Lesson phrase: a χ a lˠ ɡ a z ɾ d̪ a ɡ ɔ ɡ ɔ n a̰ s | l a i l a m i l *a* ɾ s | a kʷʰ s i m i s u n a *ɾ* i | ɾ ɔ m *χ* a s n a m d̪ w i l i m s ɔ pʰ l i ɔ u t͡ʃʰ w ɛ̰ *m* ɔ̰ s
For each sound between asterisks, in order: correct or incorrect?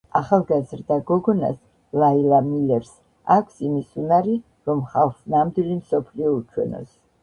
incorrect: ɛ, correct, correct, incorrect: n

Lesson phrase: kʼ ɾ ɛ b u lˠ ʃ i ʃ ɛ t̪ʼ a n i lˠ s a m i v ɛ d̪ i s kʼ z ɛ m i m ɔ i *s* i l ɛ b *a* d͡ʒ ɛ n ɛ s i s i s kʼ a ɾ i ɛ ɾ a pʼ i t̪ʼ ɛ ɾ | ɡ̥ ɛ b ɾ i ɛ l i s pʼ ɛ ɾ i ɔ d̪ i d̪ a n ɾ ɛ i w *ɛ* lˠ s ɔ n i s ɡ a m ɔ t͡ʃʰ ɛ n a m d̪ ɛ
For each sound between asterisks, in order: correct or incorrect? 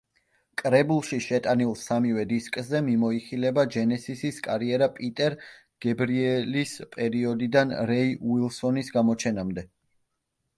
incorrect: χ, correct, incorrect: i

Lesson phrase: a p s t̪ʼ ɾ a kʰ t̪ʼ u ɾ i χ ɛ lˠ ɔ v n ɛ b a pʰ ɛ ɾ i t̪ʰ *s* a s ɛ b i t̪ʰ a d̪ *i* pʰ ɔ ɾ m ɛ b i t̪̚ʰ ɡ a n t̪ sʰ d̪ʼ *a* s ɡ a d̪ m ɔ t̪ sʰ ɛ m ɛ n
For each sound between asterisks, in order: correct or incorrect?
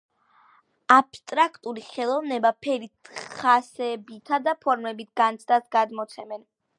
incorrect: χ, incorrect: a, correct

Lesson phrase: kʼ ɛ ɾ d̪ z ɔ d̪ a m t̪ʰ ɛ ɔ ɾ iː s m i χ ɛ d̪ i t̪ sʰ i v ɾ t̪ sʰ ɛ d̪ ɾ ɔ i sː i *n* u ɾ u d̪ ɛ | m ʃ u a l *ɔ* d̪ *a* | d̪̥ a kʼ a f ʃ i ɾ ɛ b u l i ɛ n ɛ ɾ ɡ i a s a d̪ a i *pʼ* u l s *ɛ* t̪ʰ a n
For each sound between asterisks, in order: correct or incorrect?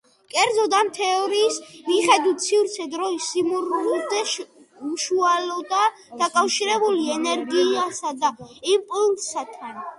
incorrect: m, correct, correct, correct, incorrect: a

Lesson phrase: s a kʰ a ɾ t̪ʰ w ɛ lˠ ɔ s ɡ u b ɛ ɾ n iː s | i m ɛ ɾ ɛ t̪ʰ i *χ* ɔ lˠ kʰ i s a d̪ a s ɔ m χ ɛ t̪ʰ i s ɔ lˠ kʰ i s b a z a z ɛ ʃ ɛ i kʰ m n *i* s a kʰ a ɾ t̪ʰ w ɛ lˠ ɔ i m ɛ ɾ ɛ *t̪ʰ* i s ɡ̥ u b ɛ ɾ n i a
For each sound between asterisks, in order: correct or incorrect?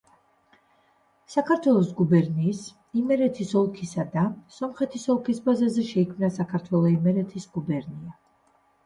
incorrect: s, incorrect: a, correct

